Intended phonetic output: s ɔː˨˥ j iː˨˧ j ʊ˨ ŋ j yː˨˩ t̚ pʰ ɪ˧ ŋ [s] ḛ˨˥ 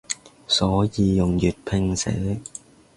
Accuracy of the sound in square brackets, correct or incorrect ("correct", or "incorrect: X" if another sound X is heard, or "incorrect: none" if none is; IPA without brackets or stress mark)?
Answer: correct